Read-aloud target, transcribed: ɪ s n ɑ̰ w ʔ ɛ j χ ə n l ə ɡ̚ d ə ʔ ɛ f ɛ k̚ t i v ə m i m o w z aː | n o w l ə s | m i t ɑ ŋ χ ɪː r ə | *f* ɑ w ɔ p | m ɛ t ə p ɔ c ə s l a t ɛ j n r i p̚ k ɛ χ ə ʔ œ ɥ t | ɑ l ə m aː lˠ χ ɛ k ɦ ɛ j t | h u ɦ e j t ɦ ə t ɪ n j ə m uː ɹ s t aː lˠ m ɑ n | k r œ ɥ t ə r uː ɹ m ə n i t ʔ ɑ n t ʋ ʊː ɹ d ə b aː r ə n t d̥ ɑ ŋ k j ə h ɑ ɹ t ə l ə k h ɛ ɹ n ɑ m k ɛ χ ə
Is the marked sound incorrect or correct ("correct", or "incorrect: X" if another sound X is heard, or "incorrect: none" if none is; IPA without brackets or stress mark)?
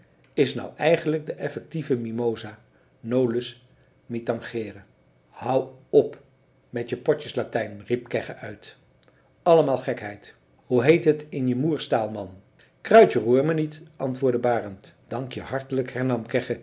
incorrect: h